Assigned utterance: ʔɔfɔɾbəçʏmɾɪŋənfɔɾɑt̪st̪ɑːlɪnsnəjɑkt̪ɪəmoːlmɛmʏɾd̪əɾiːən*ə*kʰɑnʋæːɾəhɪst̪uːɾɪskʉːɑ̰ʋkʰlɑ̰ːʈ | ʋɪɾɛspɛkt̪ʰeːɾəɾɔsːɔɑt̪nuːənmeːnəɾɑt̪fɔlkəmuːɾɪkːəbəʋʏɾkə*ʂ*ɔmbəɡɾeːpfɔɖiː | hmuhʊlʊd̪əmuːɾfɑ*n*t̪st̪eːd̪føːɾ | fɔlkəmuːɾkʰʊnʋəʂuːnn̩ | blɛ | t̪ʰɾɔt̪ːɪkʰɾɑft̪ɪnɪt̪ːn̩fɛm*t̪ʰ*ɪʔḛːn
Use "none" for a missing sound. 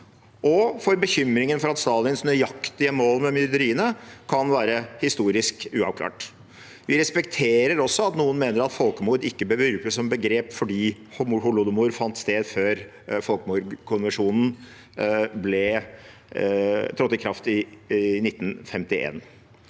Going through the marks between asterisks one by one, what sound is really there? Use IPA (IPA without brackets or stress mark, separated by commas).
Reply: ə, s, n, t̪